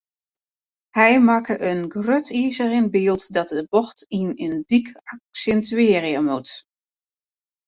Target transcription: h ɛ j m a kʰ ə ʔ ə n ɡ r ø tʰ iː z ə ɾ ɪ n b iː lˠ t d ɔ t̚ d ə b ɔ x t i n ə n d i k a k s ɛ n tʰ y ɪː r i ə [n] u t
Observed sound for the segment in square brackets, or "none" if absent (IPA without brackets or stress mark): m